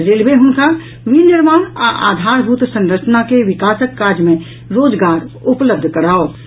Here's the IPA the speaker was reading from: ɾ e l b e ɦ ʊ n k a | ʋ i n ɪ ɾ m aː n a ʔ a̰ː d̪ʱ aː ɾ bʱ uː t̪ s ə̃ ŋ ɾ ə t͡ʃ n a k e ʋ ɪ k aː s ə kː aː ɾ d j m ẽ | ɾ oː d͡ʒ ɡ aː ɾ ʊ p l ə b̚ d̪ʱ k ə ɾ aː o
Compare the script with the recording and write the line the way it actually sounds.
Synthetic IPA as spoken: ɾ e l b e ɦ ʊ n k a | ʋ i n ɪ ɾ m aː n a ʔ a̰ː d̪ʱ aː ɾ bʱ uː t̪ s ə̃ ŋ ɾ ə t͡ʃ n a k e ʋ ɪ k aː s ə kː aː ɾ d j m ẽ | ɾ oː d͡ʒ ɡ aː ɾ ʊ p l ə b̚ d̪ʱ k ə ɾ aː o

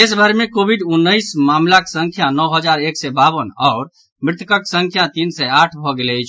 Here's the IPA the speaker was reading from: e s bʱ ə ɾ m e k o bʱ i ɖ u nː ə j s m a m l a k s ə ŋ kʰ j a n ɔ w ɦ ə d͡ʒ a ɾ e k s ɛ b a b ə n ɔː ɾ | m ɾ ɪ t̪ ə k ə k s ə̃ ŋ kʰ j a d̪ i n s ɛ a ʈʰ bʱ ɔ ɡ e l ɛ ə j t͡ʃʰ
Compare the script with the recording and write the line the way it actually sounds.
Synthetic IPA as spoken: e s bʱ ə ɾ m e k o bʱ i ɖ u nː ə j s m a m l a k s ə ŋ kʰ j a n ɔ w ɦ ə d͡ʒ a ɾ e k s ɛ b a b ə n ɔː ɾ | m ɾ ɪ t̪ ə k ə k s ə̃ ŋ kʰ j a t̪ i n s ɛ a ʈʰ bʱ ɔ ɡ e l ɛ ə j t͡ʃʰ

